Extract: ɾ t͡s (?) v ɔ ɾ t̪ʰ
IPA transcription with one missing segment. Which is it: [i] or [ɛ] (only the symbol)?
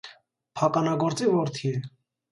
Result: i